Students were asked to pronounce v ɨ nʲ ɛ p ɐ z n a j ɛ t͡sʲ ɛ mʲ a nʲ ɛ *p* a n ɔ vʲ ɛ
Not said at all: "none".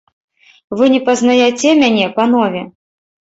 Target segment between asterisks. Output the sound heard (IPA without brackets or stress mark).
p